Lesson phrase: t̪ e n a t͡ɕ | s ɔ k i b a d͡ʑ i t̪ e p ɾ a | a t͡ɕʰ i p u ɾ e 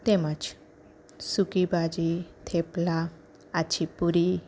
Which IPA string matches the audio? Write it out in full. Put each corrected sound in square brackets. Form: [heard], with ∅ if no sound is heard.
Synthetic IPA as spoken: t̪ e [m] a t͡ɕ | s [u] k i b a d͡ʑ i [t̪ʰ] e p [l] a | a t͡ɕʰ i p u ɾ [i]